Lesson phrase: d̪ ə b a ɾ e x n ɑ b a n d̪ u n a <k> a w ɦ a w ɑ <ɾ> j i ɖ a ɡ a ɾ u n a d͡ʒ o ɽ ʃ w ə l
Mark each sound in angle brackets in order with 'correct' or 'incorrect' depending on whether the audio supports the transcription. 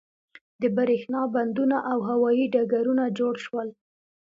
incorrect: ʔ, incorrect: none

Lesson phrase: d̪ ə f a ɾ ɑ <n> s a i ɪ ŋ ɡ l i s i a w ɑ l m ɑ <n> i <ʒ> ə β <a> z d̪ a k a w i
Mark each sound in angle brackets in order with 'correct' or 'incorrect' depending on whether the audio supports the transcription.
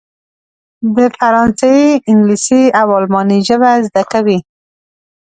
correct, correct, correct, correct

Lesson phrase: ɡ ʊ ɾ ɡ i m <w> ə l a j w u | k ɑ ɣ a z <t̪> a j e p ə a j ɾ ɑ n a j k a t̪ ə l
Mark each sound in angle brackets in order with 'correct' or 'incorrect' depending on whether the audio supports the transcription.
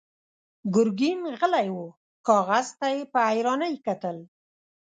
incorrect: ɣ, correct

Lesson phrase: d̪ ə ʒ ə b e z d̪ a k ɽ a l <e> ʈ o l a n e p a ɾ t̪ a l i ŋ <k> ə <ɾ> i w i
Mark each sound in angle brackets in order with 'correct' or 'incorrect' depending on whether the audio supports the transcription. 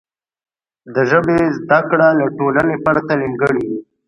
incorrect: a, incorrect: ɡ, incorrect: ɽ

